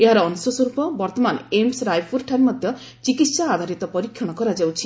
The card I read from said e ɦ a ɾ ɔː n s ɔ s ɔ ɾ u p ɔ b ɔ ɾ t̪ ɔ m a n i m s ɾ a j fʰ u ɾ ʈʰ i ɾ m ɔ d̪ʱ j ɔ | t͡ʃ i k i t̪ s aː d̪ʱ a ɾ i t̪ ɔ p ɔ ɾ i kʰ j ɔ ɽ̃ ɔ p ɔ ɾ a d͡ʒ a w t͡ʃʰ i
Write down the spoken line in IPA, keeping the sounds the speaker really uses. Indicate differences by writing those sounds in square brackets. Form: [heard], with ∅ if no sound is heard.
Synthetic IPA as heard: e ɦ a ɾ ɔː n s ɔ s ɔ ɾ u p ɔ b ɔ ɾ t̪ ɔ m a n [e] m s ɾ a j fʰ u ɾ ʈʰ [a] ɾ m ɔ d̪ʱ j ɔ | t͡ʃ i k i t̪ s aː d̪ʱ a ɾ i t̪ ɔ p ɔ ɾ i kʰ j ɔ ɽ̃ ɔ [k] ɔ ɾ a d͡ʒ a w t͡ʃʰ i